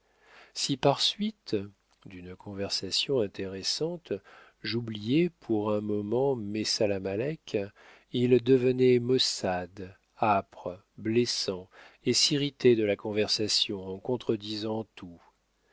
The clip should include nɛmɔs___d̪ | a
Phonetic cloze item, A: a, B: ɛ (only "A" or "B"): A